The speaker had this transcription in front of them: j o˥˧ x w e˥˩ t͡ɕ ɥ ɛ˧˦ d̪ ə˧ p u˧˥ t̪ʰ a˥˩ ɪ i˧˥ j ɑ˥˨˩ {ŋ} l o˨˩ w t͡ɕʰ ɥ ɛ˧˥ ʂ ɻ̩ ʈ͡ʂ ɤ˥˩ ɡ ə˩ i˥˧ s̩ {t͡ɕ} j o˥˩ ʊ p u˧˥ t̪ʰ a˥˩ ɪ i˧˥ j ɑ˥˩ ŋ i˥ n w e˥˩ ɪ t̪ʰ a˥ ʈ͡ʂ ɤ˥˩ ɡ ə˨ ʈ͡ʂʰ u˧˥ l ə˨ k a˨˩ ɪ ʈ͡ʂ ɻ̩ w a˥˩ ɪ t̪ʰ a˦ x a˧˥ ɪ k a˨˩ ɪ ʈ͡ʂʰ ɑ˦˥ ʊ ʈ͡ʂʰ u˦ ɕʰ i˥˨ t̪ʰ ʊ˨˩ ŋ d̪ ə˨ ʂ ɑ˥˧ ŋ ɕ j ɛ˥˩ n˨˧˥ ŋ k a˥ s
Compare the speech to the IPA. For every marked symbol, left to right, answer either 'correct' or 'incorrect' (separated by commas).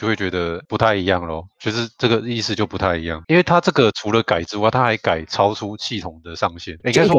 correct, correct